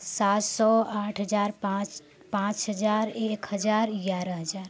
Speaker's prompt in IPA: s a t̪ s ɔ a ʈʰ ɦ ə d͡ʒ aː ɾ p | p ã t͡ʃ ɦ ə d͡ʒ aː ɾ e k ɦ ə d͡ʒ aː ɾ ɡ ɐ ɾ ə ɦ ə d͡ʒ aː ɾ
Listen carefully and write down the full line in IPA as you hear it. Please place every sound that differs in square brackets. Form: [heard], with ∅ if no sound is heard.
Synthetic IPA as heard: s a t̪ s ɔ a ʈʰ ɦ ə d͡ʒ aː ɾ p | p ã t͡ʃ ɦ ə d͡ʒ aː ɾ e k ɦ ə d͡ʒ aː ɾ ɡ [a] ɾ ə ɦ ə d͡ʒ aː ɾ